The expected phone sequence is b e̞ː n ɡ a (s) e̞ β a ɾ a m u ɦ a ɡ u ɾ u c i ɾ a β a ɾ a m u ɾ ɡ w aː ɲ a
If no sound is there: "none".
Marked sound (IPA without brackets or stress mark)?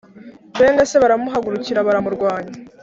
s